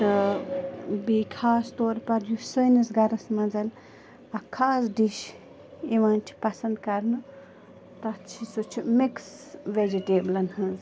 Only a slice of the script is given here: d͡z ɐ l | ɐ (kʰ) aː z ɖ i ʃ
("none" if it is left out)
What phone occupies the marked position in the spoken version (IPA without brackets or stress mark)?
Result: kʰ